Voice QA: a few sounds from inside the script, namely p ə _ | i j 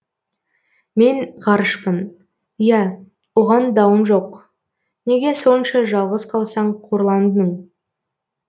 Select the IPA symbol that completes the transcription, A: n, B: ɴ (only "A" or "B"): A